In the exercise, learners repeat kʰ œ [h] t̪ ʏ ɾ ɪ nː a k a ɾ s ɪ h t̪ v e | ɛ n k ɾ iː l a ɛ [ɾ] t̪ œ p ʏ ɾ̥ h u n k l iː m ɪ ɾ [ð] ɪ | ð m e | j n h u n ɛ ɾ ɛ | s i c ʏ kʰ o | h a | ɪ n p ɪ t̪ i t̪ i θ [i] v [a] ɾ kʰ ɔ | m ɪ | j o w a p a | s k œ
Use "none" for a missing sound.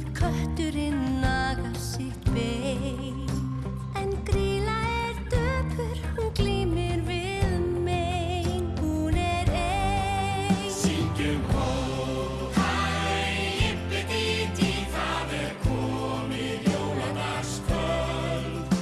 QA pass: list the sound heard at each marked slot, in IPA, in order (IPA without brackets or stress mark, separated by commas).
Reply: h, ɾ, v, a, ɛ